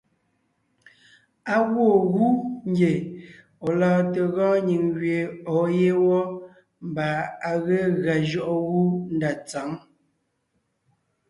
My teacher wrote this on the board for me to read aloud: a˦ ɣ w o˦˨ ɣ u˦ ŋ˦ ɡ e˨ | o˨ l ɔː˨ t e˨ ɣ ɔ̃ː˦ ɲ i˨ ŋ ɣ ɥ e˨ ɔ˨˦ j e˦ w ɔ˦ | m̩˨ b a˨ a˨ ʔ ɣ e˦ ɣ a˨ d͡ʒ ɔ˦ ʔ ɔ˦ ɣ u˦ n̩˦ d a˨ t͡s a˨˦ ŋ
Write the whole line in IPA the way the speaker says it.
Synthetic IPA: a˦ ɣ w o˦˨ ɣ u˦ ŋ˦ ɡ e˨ | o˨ l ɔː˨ t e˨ ɣ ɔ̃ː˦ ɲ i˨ ŋ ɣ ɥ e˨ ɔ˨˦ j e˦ w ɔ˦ | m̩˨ b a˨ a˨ ɣ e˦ ɣ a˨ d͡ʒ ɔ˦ ʔ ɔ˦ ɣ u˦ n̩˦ d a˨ t͡s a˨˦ ŋ